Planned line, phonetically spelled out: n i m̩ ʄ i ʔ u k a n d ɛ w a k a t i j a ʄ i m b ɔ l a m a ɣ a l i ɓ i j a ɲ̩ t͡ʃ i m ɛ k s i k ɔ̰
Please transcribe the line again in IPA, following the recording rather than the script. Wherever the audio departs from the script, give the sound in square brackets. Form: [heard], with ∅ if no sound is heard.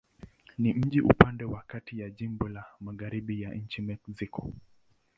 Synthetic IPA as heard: n i m̩ ʄ i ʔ u [p] a n d ɛ w a k a t i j a ʄ i m b ɔ l a m a ɣ a [ɾ] i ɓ i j a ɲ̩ t͡ʃ i m ɛ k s i k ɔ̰